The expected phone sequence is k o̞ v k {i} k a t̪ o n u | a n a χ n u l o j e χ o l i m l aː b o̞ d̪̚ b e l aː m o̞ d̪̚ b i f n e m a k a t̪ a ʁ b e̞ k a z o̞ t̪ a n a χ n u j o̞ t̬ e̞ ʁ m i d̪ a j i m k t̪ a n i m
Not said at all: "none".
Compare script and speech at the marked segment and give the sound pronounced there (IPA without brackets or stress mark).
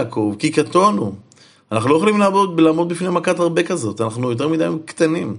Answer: i